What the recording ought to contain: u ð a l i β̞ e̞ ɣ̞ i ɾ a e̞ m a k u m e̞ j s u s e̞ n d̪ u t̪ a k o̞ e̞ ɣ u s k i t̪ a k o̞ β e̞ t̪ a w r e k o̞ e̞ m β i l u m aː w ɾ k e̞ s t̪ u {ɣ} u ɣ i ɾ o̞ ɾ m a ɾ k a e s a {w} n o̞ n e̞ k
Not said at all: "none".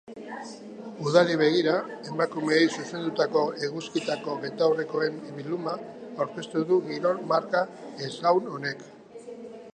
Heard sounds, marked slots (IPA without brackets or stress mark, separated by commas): ð, w